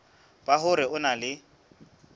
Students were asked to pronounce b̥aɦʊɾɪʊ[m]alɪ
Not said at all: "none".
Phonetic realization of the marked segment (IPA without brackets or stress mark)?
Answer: n